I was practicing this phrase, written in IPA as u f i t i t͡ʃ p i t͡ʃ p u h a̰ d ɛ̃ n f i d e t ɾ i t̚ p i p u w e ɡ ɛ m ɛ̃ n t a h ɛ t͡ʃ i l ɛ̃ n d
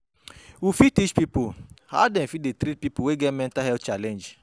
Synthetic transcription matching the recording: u f i t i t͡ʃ p i p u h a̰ d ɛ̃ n f i d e t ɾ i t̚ p i p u w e ɡ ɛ m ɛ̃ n t a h ɛ t͡ʃ a l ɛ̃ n d͡ʒ